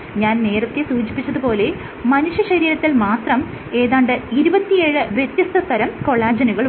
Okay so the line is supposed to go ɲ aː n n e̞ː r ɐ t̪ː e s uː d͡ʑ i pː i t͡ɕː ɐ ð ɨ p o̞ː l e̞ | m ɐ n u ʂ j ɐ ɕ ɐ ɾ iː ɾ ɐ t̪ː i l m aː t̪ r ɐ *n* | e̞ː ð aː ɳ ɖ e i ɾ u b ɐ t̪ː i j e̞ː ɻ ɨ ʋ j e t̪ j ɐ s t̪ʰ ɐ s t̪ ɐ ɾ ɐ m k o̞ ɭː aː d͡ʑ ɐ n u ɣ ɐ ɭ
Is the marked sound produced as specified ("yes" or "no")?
no